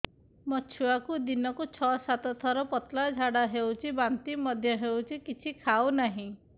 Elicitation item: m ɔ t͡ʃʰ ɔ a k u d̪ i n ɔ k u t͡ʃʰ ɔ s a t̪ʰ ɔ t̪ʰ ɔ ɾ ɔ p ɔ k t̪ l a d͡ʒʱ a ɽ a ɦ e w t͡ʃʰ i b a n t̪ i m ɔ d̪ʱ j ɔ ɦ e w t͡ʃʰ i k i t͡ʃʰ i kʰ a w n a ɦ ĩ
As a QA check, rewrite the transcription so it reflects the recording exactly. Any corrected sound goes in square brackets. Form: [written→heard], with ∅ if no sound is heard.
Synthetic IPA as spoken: m ɔ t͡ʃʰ [ɔ→u] a k u d̪ i n ɔ k u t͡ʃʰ ɔ s a [t̪ʰ→t̪] ɔ t̪ʰ ɔ ɾ ɔ p ɔ [k→∅] t̪ l a d͡ʒʱ a ɽ a ɦ e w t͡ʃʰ i b a n t̪ i m ɔ d̪ʱ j ɔ ɦ e w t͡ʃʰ i k i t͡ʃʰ i kʰ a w n a ɦ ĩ